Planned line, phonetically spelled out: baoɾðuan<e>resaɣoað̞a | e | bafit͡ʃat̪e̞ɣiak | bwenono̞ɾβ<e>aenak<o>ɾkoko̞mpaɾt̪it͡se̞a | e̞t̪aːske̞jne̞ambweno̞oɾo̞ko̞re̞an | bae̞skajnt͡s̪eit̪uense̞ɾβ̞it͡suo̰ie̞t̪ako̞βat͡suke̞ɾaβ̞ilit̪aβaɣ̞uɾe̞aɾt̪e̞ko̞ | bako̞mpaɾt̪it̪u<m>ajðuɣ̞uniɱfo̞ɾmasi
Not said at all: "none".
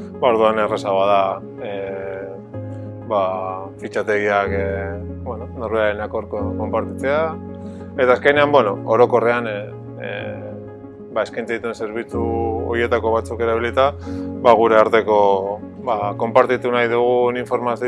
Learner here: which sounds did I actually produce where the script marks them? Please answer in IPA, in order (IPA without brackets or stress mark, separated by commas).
e, e, o, n